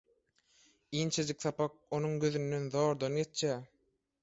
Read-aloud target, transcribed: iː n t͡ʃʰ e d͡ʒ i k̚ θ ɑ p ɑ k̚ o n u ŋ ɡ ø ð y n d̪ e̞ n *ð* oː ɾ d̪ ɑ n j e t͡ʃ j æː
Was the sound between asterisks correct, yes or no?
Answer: yes